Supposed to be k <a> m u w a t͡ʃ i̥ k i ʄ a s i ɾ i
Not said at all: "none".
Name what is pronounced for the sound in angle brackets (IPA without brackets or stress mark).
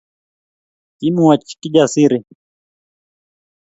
i